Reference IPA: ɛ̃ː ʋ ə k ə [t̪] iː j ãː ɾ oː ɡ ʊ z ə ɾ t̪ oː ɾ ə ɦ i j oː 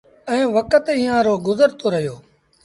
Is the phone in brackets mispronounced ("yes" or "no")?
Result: no